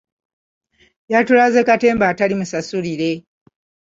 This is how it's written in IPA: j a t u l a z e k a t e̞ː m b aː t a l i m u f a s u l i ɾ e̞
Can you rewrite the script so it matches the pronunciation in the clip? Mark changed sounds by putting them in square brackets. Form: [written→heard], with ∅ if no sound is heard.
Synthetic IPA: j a t u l a z e k a t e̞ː m b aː t a l i m u [f→s] a s u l i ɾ e̞

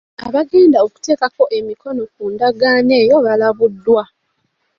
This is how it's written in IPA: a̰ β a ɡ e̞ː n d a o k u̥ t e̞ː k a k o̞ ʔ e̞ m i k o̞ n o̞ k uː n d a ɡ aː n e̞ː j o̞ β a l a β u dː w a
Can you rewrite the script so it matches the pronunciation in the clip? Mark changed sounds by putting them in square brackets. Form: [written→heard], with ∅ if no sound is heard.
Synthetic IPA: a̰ β a ɡ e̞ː n d a o k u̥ t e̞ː k a k o̞ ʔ e̞ m i k o̞ n o̞ k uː n d a ɡ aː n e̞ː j o̞ β a l a β u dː w a

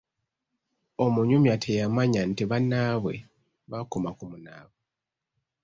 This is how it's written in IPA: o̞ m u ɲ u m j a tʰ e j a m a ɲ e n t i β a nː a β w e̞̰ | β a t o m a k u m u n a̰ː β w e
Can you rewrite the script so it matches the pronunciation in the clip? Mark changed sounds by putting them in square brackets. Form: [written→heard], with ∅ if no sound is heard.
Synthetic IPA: o̞ m u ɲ u m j a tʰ e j a m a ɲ [e→a] n t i β a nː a β w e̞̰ | β a [t→k] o m a k u m u n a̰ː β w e

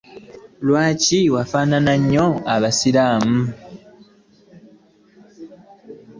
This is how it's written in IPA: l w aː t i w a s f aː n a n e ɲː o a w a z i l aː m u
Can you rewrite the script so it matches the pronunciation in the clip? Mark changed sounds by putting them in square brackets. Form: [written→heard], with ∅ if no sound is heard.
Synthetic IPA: l w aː [t→c] i w a [s→∅] f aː n a n [e→a] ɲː o a [w→β] a [z→s] i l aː m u

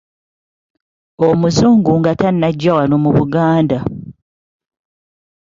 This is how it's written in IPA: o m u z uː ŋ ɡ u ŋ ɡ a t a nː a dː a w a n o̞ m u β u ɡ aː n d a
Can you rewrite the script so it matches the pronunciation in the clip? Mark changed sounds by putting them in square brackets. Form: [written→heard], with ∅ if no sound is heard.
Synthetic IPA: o m u z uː ŋ ɡ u ŋ ɡ a t a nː a [dː→ɟː] a w a n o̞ m u β u ɡ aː n d a

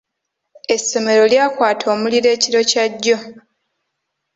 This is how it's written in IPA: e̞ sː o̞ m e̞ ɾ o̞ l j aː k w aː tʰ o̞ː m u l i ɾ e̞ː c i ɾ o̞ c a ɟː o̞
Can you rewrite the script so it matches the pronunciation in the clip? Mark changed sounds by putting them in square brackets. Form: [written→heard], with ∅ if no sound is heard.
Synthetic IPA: e̞ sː o̞ m e̞ ɾ o̞ l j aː k w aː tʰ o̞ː m u l i ɾ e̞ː c i ɾ o̞ c a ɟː o̞

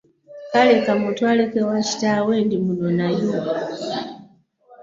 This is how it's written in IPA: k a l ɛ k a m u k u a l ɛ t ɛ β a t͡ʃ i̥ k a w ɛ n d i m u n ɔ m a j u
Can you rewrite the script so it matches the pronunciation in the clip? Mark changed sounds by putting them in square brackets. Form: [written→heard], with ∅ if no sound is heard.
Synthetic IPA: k a l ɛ k a m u [k→t] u a l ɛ [t→k] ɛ [β→w] a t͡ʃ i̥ [k→t] a w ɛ n d i m u n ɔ [m→n] a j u

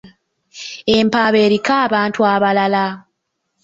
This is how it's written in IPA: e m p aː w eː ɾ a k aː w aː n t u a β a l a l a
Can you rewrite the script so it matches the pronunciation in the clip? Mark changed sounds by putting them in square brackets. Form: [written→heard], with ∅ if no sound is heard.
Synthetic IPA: e m p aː [w→β] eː ɾ [a→i] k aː [w→β] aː n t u a β a l a l a

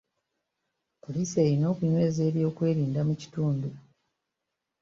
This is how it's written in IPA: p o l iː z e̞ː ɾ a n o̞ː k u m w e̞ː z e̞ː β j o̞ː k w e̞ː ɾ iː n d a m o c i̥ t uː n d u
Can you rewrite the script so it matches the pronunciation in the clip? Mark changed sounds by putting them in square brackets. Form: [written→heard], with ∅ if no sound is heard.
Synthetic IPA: p o l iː [z→s] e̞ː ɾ [a→i] n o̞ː k u [m→ɲ] w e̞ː z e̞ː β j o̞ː k w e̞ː ɾ iː n d a m [o→u] c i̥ t uː n d u

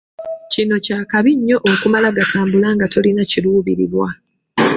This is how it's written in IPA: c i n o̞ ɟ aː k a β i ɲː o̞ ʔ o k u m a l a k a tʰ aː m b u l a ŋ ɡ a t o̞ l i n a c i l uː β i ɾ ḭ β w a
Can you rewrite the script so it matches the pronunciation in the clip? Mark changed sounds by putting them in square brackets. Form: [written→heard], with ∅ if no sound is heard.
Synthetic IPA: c i n o̞ [ɟ→c] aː k a β i ɲː o̞ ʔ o k u m a l a [k→ɡ] a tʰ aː m b u l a ŋ ɡ a t o̞ l i n a c i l uː β i ɾ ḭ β w a

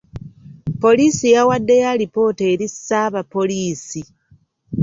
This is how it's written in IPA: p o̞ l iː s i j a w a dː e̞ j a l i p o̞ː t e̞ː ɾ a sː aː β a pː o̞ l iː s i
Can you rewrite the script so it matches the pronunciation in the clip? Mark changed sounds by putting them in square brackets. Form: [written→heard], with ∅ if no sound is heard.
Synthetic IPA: p o̞ l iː s i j a w a dː e̞ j a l i p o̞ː t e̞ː ɾ [a→i] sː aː β a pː o̞ l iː s i

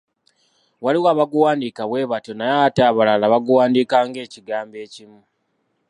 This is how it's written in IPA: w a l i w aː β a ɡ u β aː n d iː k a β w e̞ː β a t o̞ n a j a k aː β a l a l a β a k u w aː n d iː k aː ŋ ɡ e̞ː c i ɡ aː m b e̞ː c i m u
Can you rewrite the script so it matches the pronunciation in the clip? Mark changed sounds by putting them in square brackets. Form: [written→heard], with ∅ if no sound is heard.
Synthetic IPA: w a l i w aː β a ɡ u [β→w] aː n d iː k a β w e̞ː β a t o̞ n a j a [k→t] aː β a l a l a β a [k→ɡ] u w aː n d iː k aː ŋ ɡ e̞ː c i ɡ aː m b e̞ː c i m u

